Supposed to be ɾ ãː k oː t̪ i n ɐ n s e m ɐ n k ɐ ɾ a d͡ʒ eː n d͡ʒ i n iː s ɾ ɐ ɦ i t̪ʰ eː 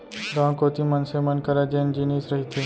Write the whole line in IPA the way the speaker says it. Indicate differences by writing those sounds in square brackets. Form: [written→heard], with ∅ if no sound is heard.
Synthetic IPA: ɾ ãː k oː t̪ i [n→m] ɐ n s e m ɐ n k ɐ ɾ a d͡ʒ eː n d͡ʒ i n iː s ɾ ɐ ɦ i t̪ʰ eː